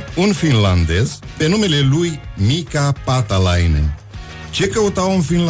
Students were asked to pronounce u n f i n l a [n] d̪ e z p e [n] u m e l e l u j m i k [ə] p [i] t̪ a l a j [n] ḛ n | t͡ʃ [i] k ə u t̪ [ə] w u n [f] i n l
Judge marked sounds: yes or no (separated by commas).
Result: yes, yes, no, no, yes, no, no, yes